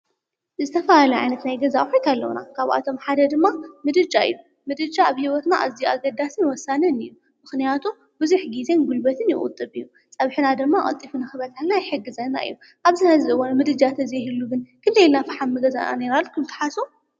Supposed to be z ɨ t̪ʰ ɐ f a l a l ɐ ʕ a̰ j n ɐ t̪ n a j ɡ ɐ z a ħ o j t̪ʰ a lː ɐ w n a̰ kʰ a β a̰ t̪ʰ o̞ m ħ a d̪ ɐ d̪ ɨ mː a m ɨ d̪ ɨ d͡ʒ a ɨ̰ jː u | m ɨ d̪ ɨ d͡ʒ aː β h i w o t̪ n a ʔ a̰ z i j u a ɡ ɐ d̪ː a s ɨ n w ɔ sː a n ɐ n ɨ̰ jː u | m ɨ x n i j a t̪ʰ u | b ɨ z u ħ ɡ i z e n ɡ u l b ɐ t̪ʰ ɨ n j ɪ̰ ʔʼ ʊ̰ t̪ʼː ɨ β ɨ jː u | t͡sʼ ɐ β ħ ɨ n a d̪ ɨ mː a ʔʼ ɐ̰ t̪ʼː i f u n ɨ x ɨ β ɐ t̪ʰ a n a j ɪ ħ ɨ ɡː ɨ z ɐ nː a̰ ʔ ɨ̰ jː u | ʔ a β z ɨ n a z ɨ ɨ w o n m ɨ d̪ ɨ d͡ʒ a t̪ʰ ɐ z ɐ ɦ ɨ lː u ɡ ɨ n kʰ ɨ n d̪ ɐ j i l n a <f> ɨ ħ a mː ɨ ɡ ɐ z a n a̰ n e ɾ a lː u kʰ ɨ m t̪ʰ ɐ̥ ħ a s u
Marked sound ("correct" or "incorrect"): correct